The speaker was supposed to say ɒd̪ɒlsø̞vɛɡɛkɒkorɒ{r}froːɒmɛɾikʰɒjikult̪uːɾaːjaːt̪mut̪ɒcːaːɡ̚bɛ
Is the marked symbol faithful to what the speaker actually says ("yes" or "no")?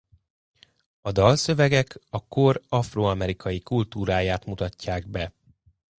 no